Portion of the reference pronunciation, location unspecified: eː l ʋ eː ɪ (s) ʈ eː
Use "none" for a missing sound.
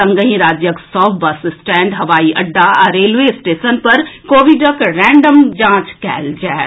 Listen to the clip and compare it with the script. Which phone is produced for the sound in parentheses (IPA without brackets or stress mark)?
s